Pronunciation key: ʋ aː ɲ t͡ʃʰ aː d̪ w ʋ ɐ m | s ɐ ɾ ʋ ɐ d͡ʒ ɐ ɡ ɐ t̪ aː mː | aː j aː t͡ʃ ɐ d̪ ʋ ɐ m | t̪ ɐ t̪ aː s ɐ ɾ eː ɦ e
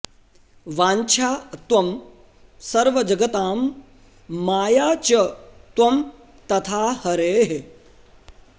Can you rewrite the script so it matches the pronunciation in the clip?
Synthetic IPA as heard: ʋ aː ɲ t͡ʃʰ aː t̪ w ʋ ɐ m | s ɐ ɾ ʋ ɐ d͡ʒ ɐ ɡ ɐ t̪ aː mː | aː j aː t͡ʃ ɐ t̪ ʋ ɐ m | t̪ ɐ t̪ʰ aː h ɐ ɾ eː ɦ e